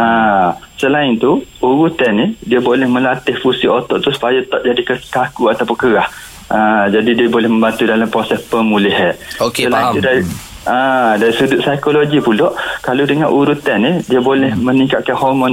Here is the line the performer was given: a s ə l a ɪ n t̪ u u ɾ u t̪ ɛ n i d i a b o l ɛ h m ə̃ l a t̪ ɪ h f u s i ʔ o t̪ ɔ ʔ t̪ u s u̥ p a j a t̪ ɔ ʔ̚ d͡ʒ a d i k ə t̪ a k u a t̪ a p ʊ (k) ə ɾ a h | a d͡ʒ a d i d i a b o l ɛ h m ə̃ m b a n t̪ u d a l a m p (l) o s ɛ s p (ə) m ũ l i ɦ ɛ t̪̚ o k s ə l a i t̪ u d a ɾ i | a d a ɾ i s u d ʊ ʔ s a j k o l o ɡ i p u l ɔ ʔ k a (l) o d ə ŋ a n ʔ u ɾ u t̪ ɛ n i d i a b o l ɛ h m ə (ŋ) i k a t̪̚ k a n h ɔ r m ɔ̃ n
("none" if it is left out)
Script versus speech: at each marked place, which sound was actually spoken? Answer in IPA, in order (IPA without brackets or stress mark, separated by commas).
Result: k, ɾ, ə, l, n